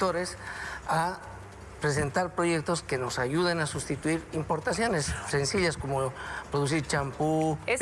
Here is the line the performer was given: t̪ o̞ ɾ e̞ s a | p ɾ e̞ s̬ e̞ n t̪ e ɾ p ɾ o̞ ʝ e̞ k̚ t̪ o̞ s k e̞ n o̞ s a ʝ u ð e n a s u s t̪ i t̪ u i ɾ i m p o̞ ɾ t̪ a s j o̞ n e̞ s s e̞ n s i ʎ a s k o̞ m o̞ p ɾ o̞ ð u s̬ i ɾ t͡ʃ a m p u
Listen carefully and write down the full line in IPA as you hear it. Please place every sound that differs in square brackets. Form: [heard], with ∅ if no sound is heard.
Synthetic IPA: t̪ o̞ ɾ e̞ s a | p ɾ e̞ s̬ e̞ n t̪ [a] ɾ p ɾ o̞ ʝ e̞ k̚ t̪ o̞ s k e̞ n o̞ s a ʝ u ð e n a s u s t̪ i t̪ u i ɾ i m p o̞ ɾ t̪ a s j o̞ n e̞ s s e̞ n s i ʎ a s k o̞ m o̞ p ɾ o̞ ð u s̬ i ɾ t͡ʃ a m p u